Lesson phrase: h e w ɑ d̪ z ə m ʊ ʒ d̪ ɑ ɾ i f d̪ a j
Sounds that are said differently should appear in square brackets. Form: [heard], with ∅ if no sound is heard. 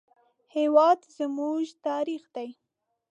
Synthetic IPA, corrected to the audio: h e w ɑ d̪ z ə m [u] ʒ [t̪] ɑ ɾ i [x] d̪ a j